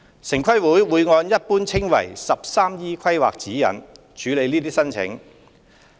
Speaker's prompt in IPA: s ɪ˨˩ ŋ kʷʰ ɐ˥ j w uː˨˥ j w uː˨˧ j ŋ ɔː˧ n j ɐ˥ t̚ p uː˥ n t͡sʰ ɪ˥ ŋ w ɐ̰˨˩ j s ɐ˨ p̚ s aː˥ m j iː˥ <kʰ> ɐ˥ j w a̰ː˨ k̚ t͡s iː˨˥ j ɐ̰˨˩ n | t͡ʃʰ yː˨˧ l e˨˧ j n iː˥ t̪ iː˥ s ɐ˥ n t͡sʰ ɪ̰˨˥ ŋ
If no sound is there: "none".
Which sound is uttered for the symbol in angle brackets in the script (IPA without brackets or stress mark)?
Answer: kʰ